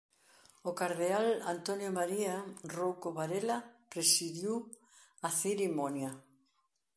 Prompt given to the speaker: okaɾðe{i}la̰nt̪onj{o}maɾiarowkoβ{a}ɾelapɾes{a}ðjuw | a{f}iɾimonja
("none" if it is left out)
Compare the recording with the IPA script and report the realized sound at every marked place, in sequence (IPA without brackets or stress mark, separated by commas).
a, o, a, i, θ